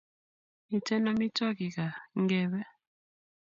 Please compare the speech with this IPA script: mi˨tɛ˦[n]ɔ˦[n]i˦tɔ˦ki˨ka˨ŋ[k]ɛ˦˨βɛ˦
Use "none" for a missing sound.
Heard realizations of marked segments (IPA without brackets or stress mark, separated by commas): n, m, ɡ